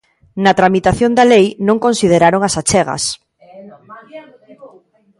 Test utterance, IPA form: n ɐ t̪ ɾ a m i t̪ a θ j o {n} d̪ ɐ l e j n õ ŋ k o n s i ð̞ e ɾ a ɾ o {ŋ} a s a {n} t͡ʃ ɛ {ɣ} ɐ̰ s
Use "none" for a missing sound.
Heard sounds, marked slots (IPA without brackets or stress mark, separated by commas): n, ŋ, none, ɣ